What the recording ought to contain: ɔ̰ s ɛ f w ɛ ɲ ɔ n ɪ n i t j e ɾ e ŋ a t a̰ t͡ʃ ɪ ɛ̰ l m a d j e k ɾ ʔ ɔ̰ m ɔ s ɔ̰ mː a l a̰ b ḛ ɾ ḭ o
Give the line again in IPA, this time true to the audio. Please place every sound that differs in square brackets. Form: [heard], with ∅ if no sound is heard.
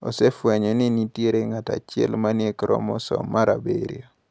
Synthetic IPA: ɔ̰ s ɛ f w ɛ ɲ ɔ n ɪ n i t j e ɾ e ŋ a t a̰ t͡ʃ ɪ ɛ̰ l m a [n] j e k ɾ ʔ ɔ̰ m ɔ s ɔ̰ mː a [ɾ] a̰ b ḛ ɾ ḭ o